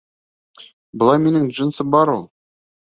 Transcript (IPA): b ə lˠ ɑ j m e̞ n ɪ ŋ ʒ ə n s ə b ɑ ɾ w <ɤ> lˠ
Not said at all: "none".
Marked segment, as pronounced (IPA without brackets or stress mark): o